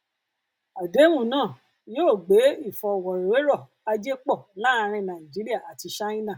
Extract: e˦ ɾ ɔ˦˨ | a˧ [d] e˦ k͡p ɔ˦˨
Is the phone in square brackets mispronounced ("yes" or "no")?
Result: yes